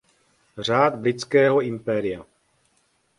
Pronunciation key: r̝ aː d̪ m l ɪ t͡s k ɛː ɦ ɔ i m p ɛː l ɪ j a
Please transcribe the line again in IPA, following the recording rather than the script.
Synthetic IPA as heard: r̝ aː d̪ b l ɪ t͡s k ɛː ɦ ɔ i m p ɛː ɾ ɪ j a